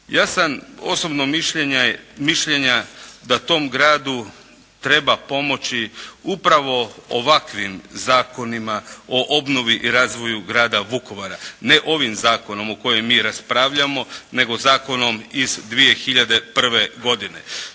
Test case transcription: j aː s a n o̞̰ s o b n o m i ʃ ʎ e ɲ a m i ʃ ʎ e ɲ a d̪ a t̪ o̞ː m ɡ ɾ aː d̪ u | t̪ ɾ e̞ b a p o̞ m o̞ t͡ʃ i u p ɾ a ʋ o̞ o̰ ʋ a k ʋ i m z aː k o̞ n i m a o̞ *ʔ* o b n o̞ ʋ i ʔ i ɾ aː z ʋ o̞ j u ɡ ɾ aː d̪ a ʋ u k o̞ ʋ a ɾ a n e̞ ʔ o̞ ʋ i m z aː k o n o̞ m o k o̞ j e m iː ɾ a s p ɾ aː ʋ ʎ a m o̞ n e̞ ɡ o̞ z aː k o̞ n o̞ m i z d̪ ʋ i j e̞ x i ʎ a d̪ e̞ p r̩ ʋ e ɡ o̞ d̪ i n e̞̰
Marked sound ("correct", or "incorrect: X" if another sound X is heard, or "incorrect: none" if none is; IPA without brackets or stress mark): correct